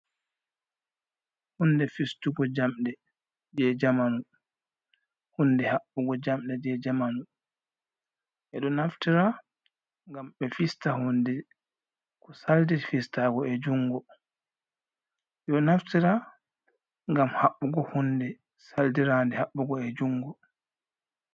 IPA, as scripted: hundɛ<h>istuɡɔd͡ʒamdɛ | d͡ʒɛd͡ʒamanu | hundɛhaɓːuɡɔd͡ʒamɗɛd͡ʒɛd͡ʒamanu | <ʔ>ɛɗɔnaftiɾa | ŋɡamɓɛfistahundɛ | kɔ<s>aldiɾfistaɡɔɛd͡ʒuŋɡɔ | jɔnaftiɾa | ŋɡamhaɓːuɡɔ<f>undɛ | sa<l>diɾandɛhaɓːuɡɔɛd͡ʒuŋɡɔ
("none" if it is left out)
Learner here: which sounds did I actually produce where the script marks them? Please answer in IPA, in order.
f, ʔ, s, h, l

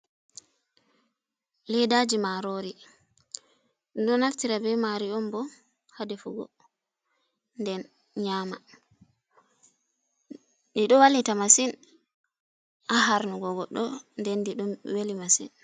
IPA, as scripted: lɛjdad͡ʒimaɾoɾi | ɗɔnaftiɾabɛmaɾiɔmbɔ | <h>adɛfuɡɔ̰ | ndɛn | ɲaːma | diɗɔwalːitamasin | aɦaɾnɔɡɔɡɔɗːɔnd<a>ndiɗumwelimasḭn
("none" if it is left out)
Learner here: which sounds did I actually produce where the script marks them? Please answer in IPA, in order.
h, ɛ

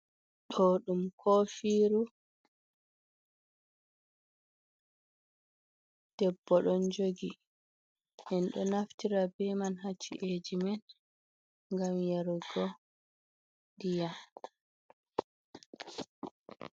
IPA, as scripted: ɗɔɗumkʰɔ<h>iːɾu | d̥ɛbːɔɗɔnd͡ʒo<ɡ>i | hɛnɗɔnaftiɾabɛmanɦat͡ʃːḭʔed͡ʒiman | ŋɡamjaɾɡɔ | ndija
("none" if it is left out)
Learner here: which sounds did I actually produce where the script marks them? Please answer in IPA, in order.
f, ɡ

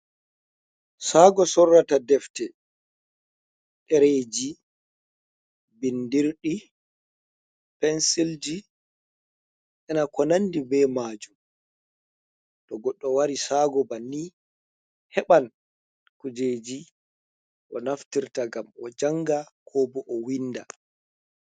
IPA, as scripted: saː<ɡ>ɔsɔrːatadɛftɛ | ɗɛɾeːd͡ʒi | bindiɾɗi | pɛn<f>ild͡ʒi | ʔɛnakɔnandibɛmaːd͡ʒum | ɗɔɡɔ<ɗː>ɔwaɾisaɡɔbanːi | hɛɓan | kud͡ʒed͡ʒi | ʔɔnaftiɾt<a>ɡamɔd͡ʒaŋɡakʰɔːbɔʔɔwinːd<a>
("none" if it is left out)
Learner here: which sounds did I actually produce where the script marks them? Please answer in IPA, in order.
ɡ, s, ɗː, a, a

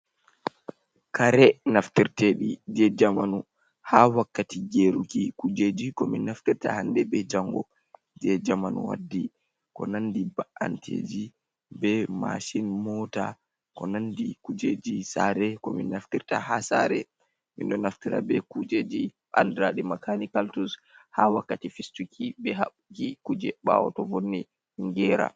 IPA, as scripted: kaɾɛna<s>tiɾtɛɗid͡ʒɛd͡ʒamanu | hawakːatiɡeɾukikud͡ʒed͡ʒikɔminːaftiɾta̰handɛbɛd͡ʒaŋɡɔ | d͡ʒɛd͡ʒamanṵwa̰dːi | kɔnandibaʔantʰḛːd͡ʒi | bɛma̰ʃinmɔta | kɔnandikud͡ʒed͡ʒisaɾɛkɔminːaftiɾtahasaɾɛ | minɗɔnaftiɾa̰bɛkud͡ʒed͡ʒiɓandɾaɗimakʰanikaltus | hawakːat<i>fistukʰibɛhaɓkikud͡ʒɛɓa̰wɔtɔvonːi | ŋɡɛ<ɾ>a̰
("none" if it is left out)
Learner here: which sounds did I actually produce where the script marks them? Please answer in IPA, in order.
f, i, ɾ

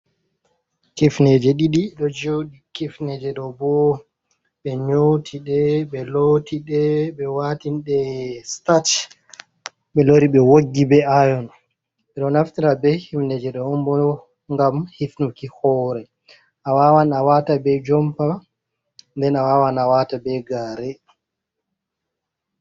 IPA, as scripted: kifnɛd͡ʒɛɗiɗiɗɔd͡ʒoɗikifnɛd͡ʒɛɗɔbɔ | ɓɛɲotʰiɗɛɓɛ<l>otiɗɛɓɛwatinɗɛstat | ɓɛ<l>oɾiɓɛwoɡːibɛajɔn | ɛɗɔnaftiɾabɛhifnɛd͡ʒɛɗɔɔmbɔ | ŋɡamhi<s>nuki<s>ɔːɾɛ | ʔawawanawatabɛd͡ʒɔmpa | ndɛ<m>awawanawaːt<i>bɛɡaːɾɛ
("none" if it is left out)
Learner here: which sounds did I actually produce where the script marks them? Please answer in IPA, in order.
l, l, f, h, n, a

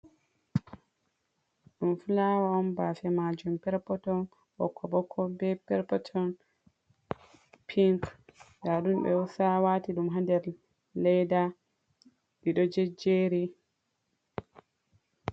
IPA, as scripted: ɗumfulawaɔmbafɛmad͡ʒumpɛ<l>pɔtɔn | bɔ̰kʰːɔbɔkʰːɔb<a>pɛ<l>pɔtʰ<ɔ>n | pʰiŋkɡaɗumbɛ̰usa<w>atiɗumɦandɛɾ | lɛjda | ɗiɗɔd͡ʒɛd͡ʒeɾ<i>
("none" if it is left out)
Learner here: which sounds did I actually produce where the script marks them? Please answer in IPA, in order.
ɾ, ɛ, ɾ, ɔ, w, i

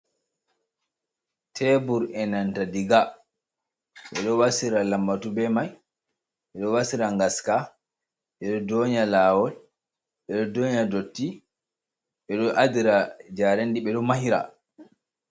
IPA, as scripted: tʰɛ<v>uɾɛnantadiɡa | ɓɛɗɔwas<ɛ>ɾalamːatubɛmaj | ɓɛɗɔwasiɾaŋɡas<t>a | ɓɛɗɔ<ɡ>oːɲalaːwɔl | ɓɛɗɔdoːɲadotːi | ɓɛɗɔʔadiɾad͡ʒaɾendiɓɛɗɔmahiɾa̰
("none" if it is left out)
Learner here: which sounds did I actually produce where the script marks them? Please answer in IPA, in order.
b, i, k, d

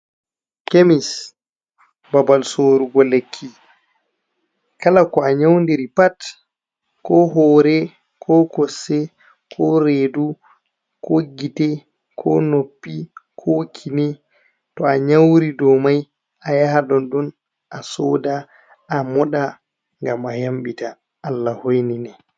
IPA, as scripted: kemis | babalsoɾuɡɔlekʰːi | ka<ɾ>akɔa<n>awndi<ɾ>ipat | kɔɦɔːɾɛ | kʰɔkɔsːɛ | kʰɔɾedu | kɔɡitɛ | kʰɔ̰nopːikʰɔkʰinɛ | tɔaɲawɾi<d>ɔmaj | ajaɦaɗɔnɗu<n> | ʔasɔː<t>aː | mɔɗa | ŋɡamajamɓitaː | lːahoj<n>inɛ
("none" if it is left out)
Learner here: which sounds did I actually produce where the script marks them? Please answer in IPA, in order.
l, ɲ, ɾ, d, n, d, n

